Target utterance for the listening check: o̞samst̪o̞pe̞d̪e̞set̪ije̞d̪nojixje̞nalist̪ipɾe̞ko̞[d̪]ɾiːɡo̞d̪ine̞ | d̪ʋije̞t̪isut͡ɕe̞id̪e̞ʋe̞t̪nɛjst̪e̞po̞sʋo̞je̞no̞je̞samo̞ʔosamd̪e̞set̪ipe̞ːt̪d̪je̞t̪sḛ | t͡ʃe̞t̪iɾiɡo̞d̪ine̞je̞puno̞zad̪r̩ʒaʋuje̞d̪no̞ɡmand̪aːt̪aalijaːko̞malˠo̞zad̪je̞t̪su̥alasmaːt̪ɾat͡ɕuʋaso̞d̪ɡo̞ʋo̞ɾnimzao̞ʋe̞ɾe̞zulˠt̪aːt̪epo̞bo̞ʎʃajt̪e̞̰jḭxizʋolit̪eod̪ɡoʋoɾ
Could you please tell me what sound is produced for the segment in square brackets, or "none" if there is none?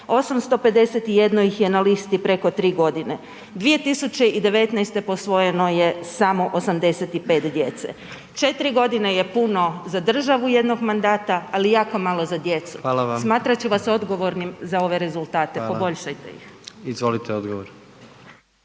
t̪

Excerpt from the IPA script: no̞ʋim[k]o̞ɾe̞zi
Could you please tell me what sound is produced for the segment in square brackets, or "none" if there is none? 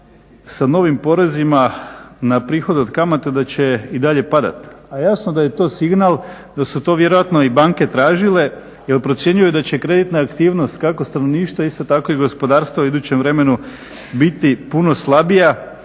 p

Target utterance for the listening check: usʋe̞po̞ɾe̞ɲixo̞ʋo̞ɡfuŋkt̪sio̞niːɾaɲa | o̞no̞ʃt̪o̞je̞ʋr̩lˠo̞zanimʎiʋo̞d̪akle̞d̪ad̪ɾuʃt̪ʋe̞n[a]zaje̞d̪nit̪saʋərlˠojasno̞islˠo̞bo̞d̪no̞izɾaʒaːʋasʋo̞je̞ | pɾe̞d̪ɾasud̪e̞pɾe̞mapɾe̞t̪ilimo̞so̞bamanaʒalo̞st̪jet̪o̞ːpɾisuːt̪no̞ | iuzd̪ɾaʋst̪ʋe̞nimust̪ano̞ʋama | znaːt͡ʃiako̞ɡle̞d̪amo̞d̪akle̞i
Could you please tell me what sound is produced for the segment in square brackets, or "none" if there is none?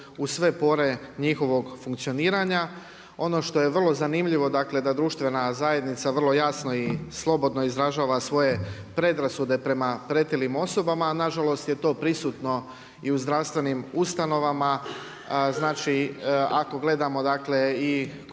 a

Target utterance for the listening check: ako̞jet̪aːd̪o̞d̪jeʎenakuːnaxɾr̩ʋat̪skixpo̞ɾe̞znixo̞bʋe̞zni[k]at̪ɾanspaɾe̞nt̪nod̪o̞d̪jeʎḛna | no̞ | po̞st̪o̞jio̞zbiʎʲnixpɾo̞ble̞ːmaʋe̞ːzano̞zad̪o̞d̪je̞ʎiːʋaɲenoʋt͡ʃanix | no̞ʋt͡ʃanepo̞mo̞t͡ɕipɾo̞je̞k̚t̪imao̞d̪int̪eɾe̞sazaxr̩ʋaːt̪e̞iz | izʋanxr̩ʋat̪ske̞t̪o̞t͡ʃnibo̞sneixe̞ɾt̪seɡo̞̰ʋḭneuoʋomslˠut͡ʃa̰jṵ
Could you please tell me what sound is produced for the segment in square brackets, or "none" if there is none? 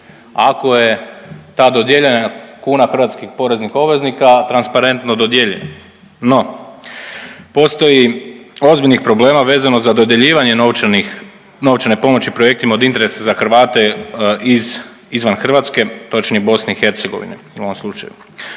k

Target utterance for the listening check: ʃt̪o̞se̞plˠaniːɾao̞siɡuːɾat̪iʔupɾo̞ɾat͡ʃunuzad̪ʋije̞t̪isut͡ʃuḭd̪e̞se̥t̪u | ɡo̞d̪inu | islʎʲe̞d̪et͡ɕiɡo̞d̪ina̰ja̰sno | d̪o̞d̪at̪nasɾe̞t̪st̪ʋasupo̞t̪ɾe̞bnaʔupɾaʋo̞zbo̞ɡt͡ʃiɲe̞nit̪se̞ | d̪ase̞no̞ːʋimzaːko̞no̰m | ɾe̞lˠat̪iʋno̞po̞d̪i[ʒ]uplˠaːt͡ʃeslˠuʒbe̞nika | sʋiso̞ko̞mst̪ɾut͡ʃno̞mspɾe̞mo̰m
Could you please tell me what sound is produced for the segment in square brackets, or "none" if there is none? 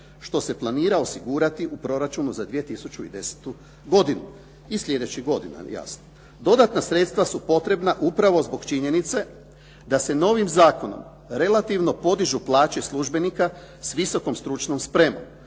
ʒ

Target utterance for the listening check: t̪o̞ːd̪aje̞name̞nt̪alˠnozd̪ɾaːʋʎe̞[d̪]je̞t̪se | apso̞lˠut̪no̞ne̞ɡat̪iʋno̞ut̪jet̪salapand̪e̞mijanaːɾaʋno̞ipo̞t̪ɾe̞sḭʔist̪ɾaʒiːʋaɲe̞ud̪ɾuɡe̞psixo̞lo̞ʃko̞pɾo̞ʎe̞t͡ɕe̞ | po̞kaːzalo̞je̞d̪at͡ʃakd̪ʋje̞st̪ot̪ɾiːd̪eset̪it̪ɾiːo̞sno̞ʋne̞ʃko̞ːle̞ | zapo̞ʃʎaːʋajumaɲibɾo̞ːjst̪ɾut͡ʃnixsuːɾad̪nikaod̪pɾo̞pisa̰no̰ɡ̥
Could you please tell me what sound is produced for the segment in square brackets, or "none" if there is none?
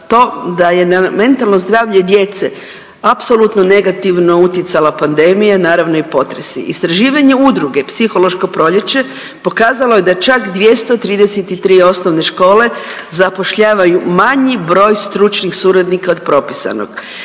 d̪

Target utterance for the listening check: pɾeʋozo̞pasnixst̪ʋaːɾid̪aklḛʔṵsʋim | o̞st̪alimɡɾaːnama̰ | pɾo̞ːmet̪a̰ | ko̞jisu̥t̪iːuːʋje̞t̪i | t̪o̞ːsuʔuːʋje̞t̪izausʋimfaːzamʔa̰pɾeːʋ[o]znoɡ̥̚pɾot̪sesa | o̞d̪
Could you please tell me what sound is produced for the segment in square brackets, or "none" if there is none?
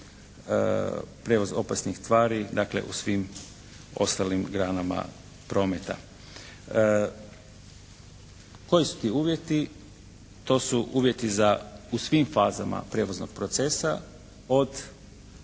o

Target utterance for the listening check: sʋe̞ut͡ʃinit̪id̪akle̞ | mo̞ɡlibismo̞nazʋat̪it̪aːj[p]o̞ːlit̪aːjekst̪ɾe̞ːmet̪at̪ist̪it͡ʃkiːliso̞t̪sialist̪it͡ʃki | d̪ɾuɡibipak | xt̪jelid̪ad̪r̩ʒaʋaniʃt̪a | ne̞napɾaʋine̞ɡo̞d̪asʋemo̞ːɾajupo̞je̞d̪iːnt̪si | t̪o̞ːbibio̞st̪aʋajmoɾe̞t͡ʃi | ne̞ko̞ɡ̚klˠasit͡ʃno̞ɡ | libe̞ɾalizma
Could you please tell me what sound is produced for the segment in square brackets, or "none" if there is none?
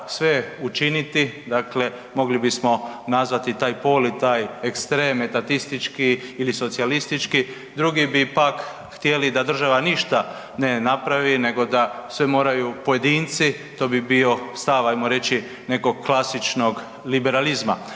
p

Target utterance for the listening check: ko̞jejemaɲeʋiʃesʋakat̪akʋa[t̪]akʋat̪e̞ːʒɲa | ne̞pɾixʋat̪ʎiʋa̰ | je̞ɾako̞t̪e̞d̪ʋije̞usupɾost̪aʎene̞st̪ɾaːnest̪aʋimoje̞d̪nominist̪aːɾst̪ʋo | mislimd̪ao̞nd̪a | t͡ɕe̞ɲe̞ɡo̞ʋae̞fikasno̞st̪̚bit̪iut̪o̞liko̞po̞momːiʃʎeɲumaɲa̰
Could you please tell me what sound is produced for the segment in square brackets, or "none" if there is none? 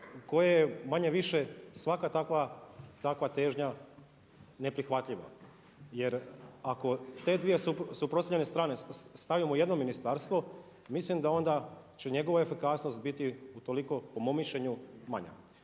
t̪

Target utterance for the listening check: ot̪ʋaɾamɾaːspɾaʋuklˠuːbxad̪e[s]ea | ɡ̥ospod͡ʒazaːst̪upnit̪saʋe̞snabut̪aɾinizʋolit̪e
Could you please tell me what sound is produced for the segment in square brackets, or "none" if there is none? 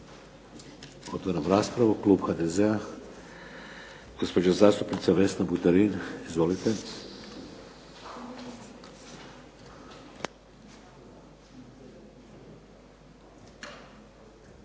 z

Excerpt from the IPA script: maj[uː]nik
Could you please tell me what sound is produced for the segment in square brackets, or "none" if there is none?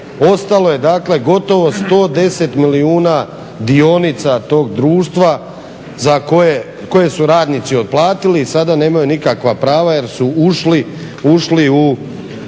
u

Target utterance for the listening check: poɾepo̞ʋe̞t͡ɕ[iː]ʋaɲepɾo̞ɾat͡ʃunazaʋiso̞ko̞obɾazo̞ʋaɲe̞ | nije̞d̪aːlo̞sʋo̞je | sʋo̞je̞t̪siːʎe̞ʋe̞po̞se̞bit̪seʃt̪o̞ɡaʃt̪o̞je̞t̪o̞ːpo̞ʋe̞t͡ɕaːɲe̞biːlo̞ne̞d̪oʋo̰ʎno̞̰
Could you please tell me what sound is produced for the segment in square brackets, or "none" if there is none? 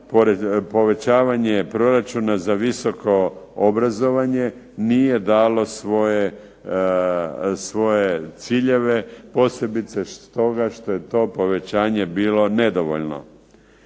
aː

